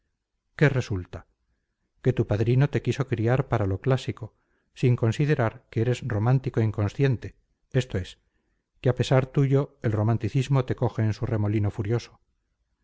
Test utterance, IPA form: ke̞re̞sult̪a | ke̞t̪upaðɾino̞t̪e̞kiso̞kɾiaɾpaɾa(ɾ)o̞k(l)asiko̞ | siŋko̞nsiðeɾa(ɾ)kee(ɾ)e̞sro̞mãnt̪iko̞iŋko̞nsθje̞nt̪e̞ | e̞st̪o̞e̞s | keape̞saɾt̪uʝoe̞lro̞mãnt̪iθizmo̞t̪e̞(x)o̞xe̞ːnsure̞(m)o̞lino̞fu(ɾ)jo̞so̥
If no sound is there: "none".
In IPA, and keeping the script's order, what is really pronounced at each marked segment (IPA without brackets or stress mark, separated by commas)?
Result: l, l, ɾ, ɾ, k, m, ɾ